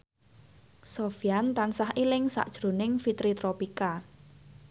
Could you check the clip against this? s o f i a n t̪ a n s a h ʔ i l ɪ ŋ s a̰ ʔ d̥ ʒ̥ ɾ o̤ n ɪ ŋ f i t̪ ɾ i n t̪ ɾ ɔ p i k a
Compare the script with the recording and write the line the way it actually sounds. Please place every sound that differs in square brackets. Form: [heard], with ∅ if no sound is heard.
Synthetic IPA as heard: s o f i a n t̪ a n s a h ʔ i l ɪ ŋ s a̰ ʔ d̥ ʒ̥ ɾ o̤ n ɪ ŋ f i t̪ ɾ i [∅] t̪ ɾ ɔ p i k a